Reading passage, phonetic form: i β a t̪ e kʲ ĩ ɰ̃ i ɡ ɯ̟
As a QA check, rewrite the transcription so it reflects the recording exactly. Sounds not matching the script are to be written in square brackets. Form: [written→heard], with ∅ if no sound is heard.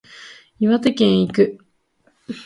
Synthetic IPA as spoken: i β a t̪ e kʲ [ĩ→ẽ] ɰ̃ i [ɡ→k] ɯ̟